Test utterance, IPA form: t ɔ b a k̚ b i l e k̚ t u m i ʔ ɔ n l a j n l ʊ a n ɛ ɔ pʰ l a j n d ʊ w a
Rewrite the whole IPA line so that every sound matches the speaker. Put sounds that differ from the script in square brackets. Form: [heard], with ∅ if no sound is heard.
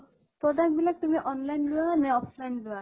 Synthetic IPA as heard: t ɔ [d] a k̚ b i l [a] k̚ t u m i ʔ ɔ n l a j n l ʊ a n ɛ ɔ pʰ l a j n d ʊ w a